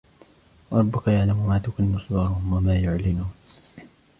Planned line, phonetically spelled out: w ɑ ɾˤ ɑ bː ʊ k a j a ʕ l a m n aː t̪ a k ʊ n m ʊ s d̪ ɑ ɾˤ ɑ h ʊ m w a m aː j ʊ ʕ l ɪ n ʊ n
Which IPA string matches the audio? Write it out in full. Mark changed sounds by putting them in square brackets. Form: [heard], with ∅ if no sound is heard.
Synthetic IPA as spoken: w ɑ ɾˤ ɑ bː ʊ k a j a ʕ l a m [m] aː t̪ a k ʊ n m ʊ s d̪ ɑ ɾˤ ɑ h ʊ m w a m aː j ʊ ʕ l ɪ n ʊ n